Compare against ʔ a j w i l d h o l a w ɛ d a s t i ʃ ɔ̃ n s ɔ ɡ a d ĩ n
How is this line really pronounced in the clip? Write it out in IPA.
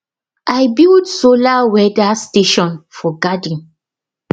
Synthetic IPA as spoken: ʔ a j b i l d s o l a w ɛ d a s t e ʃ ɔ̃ n f ɔ ɡ a d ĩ n

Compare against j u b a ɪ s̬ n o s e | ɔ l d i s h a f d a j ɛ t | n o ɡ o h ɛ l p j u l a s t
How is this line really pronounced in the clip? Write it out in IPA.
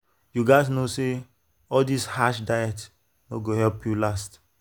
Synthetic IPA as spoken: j u ɡ a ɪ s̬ n o s e | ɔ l d i s h a ʃ d a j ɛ t | n o ɡ o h ɛ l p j u l a s t

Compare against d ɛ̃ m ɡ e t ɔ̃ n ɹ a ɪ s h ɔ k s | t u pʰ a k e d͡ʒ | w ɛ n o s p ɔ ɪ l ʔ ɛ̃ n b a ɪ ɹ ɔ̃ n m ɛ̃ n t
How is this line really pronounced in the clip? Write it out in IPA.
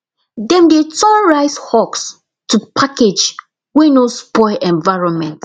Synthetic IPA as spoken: d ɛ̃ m d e t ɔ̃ n ɹ a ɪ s h ɔ k s | t u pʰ a k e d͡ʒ | w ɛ n o s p ɔ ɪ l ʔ ɛ̃ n v a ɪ ɹ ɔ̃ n m ɛ̃ n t

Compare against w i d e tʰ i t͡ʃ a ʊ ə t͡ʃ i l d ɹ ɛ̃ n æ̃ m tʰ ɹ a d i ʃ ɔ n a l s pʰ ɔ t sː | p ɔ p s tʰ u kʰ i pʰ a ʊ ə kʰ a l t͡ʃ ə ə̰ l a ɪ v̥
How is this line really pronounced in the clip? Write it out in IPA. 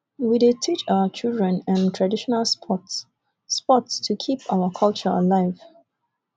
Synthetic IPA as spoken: w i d e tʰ i t͡ʃ a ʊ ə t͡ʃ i l d ɹ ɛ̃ n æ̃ n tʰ ɹ a d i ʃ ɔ n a l s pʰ ɔ t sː | p ɔ t s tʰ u kʰ i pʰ a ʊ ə kʰ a l t͡ʃ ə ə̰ l a ɪ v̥

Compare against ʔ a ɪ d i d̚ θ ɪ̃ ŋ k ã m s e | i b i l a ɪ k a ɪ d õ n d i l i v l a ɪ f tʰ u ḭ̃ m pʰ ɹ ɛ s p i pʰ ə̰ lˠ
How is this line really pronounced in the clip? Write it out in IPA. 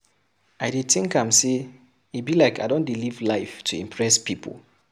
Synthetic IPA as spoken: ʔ a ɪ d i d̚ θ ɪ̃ ŋ k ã m s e | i b i l a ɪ k a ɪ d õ n d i l i v l a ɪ f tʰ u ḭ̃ m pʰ ɹ ɛ s p i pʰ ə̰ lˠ

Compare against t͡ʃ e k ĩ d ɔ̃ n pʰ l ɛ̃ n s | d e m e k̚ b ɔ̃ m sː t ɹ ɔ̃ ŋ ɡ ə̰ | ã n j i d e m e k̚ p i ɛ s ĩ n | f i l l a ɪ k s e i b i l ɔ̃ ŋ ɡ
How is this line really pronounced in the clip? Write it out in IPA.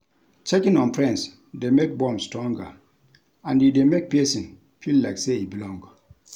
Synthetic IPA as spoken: t͡ʃ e k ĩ n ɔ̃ n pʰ ɹ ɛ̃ n s | d e m e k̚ b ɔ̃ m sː t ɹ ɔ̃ ŋ ɡ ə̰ | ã n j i d e m e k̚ p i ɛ s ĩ n | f i l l a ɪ k s e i b i l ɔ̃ ŋ ɡ

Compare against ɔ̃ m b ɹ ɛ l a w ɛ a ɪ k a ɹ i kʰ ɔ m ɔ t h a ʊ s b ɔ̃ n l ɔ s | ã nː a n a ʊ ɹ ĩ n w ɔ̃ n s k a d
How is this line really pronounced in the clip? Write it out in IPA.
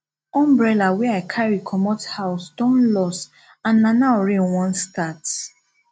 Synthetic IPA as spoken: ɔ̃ m b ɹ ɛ l a w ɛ a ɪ kʰ a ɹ i kʰ ɔ m ɔ t h a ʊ s d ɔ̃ n l ɔ s | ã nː a n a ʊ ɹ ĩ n w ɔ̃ n s t a t

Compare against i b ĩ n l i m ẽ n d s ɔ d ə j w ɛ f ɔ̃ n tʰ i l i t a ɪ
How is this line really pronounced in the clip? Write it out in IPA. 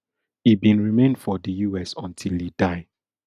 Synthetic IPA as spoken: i b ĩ n ɹ i m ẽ n d f ɔ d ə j u ɛ s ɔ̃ n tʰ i l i d a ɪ

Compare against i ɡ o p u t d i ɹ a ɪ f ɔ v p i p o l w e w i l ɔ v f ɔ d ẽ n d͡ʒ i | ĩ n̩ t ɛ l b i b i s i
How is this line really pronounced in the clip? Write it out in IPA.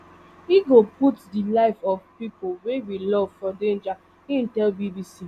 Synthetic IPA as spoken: i ɡ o p u t d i l a ɪ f ɔ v p i p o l w e w i l ɔ v f ɔ d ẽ n d͡ʒ a | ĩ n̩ t ɛ l b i b i s i

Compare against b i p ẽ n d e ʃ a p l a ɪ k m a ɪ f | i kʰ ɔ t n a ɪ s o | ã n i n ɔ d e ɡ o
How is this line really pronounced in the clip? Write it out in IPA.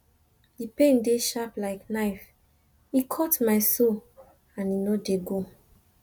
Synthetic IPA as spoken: d i p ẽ n d e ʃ a p l a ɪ k n a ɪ f | i kʰ ɔ t m a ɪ s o | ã n i n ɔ d e ɡ o

